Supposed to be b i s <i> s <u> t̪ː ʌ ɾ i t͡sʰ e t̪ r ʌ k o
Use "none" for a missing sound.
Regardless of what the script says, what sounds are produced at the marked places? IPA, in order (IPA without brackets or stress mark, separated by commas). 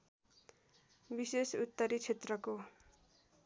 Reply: e, u